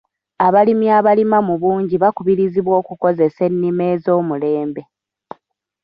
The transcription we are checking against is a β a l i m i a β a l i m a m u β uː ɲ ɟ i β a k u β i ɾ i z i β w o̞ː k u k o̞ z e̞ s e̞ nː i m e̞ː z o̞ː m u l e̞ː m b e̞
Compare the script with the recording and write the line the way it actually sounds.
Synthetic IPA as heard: a β a l i m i a β a l i m a m u β uː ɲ ɟ i β a k u β i ɾ i z i β w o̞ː k u k o̞ z e̞ s e̞ nː i m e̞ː z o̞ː m u l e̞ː m b e̞